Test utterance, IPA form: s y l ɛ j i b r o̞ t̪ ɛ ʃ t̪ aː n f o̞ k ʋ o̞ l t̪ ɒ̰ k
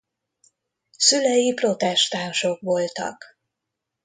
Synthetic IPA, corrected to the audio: s y l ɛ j i p r o̞ t̪ ɛ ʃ t̪ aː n ʃ o̞ k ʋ o̞ l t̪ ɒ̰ k